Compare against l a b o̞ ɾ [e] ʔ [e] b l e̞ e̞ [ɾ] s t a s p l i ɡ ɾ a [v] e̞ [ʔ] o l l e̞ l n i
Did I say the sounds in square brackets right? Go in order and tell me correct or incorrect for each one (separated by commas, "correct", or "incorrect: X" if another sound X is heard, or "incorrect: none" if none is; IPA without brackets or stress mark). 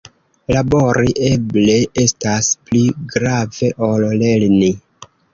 incorrect: i, correct, incorrect: none, correct, correct